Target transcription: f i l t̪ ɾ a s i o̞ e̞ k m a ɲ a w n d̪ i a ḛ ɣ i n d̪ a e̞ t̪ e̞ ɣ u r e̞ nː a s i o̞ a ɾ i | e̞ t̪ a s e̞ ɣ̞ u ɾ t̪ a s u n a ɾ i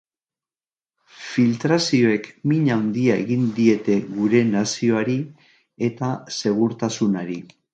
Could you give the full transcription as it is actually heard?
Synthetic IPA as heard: f i l t̪ ɾ a s i o̞ e̞ k m i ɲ a w n d̪ i a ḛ ɣ i n d̪ i e̞ t̪ e̞ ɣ u ɾ e̞ n a s i o̞ a ɾ i | e̞ t̪ a s e̞ ɣ̞ u ɾ t̪ a s u n a ɾ i